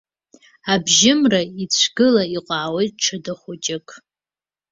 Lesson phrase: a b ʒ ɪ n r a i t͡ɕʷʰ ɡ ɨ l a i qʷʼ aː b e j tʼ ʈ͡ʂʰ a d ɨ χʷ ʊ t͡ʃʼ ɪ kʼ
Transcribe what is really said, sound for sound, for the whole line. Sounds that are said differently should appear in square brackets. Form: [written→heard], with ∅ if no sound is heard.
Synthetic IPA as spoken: a b ʒ ɪ [n→m] r a i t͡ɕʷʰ ɡ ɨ l a i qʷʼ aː [b→w] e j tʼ ʈ͡ʂʰ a d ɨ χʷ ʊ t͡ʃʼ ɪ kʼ